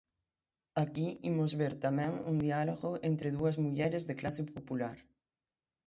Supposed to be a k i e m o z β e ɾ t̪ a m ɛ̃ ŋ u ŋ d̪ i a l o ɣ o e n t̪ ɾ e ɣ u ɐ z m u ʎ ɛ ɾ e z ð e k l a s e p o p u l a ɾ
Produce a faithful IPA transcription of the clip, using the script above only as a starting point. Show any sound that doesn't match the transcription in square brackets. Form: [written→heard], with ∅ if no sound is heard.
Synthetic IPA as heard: a k i [e→i] m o z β e ɾ t̪ a m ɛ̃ ŋ u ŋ d̪ i a l o ɣ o e n t̪ ɾ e [ɣ→ð] u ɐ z m u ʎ ɛ ɾ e z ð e k l a s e p o p u l a ɾ